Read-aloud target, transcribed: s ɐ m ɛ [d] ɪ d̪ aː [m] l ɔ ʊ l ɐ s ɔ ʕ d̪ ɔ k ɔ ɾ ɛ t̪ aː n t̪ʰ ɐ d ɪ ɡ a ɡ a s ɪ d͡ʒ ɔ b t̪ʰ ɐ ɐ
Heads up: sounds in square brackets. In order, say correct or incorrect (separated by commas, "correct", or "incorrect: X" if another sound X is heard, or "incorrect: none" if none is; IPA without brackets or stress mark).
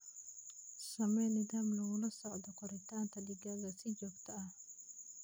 incorrect: n, correct